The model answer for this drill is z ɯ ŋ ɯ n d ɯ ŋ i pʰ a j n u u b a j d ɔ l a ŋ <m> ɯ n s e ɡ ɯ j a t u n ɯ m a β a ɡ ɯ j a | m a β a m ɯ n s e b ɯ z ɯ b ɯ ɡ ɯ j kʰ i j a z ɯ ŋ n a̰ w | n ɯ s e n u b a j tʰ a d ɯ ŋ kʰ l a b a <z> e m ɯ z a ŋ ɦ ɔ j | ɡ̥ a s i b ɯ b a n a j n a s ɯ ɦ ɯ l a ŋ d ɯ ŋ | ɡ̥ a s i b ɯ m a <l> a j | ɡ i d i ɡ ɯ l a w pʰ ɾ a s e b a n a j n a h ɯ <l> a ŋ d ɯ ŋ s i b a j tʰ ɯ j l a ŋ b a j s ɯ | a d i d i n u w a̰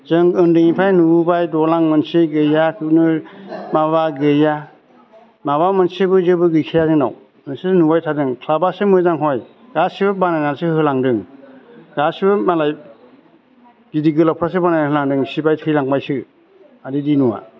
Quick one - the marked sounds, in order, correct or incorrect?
correct, incorrect: s, correct, correct

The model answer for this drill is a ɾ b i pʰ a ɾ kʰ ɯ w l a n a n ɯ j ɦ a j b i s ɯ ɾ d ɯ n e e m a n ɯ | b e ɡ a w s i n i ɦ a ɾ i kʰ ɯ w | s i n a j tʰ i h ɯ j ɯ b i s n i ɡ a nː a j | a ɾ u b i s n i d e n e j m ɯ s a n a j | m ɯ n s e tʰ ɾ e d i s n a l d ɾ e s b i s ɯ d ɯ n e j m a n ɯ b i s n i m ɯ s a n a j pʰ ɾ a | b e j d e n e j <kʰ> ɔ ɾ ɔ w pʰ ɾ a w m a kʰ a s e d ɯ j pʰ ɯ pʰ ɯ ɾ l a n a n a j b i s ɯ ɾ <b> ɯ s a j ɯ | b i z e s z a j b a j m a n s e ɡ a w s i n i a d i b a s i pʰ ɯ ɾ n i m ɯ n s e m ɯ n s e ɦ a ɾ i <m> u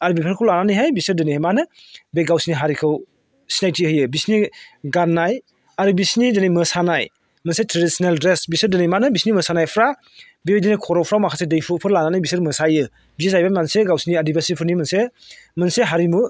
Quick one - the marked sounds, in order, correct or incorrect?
correct, incorrect: m, correct

